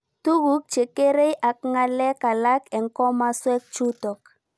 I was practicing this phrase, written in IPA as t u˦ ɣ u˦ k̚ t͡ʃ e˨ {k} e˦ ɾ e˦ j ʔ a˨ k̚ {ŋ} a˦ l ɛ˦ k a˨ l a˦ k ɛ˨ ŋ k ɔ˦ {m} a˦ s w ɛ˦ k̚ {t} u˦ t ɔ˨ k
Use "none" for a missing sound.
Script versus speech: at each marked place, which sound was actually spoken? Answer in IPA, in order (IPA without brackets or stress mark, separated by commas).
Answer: k, ŋ, m, t͡ʃ